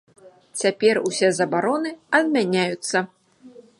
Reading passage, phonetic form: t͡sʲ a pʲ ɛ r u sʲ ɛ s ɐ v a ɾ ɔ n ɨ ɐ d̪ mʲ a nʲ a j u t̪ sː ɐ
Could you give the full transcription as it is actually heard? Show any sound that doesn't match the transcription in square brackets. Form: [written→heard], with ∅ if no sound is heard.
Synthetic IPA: t͡sʲ a pʲ ɛ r u sʲ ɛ [s→z] ɐ [v→b] a ɾ ɔ n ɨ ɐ d̪ mʲ a nʲ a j u t̪ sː ɐ